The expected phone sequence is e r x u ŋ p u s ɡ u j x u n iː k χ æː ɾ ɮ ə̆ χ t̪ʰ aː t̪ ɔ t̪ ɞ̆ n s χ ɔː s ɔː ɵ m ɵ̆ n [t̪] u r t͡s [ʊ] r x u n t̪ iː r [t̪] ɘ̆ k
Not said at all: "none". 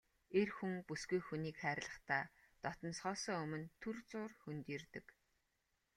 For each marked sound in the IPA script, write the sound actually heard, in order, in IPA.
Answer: t̪ʰ, ʊː, t̪

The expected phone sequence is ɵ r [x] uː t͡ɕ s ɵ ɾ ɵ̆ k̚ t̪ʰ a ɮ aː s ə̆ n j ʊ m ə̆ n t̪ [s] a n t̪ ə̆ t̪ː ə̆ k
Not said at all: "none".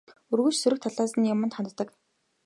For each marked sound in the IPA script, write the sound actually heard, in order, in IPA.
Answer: ɣ, χ

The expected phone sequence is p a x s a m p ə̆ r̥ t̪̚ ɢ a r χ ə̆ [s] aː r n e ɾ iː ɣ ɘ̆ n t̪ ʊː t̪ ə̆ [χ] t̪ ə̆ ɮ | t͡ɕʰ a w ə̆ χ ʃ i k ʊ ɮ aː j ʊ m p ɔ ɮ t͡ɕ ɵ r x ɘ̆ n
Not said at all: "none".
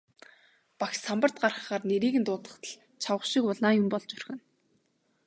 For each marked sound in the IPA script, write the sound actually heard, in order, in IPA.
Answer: χ, χ

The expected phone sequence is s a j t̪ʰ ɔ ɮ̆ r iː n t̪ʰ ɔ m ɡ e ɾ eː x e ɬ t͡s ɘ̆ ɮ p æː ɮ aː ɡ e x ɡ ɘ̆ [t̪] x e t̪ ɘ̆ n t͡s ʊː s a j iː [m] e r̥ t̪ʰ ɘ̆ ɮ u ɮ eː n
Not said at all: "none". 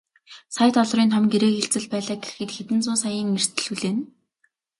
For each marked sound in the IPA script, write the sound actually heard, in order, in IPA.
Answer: t̪, ŋ

